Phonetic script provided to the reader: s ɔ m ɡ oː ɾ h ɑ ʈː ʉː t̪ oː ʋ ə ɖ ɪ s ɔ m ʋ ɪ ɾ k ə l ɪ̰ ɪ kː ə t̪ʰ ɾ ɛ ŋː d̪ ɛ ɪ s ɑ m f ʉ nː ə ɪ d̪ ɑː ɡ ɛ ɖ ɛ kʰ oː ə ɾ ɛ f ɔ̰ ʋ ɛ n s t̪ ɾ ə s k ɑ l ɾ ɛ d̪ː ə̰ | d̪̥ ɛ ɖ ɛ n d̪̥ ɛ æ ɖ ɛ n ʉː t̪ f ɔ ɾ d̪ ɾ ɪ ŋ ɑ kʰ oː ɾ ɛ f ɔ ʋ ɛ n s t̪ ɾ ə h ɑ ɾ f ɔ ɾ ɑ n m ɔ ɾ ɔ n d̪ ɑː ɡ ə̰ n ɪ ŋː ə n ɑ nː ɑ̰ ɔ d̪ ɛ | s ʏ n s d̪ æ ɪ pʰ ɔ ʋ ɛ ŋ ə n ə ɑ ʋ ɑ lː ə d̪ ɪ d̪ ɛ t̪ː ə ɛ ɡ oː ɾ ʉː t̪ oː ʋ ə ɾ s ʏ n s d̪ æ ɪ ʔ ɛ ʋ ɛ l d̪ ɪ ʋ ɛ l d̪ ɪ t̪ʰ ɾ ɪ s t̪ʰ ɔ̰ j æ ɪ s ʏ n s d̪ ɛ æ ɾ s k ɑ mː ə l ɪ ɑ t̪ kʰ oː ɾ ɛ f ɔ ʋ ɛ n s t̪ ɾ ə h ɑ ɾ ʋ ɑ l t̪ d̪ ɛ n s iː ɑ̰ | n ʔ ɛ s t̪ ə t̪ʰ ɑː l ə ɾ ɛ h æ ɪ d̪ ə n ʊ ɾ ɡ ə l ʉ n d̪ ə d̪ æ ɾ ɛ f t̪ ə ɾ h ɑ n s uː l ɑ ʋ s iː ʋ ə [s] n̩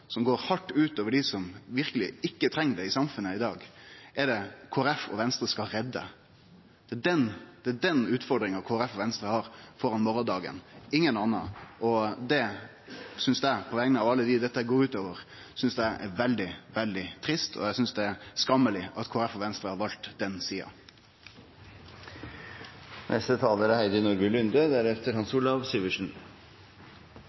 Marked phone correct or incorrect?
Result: incorrect: ʂ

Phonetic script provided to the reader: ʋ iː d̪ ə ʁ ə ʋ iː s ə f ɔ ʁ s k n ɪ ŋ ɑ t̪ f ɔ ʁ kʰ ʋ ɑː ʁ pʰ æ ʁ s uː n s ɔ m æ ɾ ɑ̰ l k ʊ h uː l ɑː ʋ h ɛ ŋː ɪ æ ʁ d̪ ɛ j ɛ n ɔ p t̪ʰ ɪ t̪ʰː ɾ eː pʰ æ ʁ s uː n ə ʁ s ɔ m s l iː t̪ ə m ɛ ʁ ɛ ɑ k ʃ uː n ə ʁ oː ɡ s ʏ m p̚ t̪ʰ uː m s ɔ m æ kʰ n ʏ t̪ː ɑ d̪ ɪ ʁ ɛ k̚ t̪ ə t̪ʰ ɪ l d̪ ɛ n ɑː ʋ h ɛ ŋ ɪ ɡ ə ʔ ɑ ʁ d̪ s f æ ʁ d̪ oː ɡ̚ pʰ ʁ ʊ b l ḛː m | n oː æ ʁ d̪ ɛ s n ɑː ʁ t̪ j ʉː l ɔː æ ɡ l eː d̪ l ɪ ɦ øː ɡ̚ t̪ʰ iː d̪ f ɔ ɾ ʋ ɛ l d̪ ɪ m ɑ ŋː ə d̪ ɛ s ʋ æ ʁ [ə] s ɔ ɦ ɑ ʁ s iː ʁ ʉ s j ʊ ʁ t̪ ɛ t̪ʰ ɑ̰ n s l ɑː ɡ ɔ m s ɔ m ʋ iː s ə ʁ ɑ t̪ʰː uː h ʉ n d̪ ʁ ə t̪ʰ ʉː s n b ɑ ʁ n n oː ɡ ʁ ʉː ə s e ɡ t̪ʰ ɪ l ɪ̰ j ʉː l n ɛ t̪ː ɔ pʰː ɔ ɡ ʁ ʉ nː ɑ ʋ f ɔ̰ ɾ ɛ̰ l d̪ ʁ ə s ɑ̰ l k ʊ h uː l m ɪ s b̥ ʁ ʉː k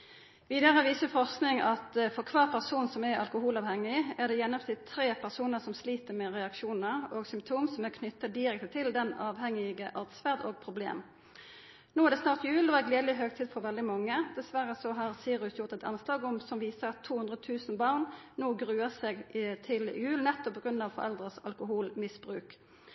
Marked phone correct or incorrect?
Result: correct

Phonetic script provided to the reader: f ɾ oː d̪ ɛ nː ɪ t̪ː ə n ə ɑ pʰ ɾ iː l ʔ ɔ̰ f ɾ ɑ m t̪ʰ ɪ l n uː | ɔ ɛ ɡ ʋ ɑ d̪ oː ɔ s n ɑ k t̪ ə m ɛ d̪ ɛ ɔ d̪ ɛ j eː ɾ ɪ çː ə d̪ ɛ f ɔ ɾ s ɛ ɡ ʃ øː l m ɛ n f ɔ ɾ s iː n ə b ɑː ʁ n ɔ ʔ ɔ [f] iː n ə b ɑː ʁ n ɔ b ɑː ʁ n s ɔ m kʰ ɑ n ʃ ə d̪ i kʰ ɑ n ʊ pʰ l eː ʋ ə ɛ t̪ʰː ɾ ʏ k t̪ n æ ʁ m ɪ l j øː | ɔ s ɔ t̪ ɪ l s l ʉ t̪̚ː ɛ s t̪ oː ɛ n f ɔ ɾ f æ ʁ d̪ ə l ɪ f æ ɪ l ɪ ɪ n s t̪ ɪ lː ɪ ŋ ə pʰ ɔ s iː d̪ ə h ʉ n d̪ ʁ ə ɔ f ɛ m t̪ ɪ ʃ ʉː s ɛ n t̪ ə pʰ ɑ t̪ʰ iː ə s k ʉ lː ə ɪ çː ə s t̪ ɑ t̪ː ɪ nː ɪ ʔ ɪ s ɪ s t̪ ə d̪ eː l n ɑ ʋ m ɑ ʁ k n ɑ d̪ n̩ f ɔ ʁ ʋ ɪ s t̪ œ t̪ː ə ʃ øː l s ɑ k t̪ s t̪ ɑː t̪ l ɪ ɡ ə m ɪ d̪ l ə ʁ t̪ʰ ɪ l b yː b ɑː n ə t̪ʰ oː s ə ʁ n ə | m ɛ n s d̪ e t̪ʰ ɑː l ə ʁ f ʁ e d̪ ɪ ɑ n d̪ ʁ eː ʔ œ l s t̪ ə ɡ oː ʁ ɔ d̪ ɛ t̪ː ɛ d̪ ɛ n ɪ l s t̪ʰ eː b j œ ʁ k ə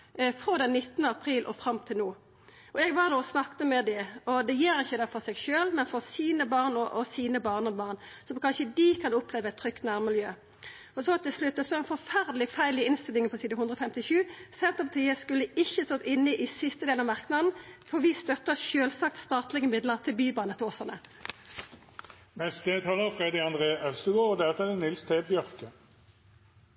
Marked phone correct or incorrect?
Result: incorrect: s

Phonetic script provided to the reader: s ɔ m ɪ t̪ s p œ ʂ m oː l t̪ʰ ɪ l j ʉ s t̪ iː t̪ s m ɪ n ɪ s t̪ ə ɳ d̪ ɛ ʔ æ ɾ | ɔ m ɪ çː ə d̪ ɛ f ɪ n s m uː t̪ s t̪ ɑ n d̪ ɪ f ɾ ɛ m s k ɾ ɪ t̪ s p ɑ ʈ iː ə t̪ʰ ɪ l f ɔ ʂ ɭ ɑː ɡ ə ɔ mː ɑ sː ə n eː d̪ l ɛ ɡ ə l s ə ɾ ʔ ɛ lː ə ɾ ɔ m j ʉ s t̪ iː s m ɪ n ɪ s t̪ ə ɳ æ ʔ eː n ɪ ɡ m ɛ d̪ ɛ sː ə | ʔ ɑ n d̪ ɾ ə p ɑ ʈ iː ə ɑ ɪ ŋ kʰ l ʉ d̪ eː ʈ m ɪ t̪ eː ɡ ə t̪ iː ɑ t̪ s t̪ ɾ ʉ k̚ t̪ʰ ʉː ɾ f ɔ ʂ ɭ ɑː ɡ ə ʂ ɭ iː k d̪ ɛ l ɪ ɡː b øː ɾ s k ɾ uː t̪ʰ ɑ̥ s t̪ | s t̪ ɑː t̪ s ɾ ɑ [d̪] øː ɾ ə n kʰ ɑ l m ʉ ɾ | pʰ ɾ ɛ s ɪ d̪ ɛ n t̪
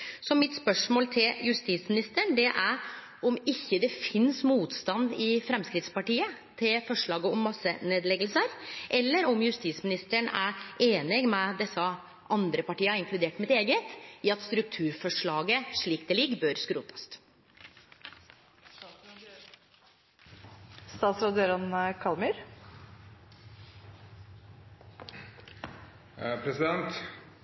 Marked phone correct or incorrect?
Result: correct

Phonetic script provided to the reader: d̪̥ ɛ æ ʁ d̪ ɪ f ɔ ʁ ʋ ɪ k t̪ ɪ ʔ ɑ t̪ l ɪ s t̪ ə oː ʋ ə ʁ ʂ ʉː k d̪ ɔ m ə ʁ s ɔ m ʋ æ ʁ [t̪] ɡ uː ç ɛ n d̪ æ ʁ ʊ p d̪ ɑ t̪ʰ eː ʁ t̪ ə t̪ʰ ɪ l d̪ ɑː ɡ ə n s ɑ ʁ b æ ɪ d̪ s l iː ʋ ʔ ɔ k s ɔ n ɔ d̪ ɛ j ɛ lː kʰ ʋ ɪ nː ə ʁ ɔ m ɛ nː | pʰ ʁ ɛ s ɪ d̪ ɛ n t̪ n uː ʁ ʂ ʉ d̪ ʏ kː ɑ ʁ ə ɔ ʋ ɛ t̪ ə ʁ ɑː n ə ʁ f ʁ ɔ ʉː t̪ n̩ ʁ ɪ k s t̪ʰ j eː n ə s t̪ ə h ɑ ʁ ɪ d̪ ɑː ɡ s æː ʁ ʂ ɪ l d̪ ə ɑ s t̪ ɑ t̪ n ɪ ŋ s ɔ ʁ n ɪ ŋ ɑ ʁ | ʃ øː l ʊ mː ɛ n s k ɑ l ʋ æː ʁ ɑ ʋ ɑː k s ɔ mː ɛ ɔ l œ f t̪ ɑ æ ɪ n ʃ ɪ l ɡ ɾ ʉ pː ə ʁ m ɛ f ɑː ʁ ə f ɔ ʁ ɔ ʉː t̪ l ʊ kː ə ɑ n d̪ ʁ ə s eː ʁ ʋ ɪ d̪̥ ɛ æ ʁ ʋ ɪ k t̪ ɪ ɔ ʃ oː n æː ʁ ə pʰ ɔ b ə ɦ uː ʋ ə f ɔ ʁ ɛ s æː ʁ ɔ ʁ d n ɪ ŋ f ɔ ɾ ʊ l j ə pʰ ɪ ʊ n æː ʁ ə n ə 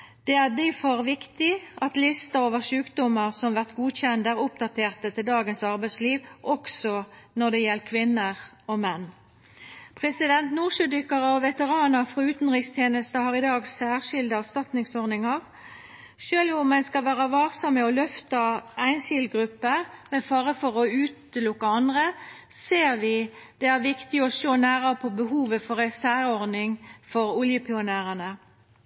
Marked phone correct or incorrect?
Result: correct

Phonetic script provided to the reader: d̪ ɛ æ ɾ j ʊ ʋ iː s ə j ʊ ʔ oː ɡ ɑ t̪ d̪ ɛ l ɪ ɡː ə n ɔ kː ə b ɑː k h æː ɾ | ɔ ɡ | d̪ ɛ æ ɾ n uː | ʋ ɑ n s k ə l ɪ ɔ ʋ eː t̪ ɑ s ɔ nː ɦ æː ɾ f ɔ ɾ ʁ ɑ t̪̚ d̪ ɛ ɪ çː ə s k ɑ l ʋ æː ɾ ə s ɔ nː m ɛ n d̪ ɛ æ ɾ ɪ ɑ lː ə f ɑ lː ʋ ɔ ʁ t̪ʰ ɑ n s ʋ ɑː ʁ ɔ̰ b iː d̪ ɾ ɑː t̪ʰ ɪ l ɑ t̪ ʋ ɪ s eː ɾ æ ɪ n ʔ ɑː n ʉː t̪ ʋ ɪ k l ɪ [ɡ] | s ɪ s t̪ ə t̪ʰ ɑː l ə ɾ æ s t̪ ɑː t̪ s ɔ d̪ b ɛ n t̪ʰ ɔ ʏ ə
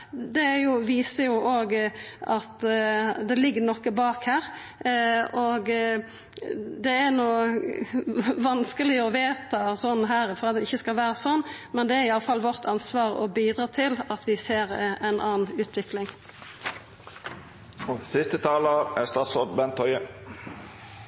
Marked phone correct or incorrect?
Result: incorrect: ŋ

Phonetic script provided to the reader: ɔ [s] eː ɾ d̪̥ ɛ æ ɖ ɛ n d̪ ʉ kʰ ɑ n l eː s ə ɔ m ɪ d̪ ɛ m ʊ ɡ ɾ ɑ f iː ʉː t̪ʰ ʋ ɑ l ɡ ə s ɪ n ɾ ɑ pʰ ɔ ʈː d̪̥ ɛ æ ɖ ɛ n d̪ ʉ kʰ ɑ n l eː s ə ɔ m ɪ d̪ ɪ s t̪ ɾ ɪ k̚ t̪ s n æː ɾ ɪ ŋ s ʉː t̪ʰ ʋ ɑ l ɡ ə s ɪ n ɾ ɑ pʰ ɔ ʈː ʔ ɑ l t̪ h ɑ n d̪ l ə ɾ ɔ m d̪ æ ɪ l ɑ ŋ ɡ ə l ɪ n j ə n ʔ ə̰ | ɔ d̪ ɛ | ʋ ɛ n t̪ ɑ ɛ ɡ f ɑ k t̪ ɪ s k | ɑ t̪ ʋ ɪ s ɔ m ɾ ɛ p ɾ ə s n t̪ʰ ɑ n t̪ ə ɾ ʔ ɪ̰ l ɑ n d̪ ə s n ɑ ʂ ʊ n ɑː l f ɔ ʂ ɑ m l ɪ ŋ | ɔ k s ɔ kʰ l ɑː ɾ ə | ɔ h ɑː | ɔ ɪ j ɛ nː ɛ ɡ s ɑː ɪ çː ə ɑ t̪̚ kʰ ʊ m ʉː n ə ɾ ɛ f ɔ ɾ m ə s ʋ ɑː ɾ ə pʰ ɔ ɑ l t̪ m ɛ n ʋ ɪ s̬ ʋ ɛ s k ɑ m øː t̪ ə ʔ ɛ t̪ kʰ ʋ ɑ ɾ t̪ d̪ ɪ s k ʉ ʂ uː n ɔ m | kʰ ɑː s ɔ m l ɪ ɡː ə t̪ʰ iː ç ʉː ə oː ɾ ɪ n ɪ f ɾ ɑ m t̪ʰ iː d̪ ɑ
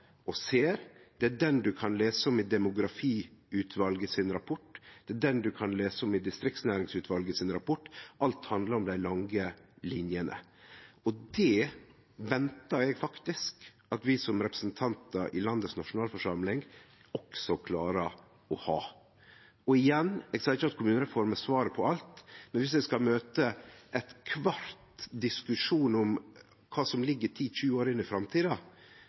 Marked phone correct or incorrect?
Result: correct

